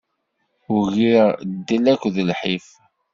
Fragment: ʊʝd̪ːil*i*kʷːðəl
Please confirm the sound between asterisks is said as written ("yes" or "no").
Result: no